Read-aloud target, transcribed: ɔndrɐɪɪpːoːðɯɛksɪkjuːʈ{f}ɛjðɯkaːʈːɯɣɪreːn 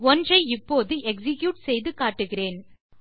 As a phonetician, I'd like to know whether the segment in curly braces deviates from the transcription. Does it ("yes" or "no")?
yes